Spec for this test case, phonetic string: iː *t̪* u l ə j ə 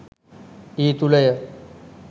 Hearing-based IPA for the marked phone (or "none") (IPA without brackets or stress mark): t̪